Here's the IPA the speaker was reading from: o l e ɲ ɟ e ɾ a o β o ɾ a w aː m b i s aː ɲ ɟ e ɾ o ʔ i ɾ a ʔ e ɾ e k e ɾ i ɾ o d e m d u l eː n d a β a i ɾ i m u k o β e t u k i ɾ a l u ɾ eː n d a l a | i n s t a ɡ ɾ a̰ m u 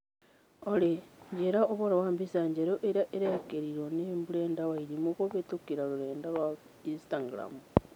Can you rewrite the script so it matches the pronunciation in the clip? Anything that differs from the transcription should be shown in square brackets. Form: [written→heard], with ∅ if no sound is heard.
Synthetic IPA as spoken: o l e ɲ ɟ e ɾ a o β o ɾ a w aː m b i s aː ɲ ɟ e ɾ o ʔ [i→e] ɾ a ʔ e ɾ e k e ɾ i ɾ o [d→n] e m [d→b] u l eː n d a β a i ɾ i m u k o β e t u k i ɾ a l u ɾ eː n d a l a | i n s t a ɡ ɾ a̰ m u